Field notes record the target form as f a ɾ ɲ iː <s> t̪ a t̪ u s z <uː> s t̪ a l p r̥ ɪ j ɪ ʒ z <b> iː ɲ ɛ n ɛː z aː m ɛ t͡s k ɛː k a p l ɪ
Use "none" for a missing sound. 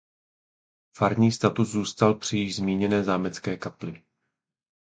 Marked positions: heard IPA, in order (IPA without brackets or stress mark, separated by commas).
s, uː, m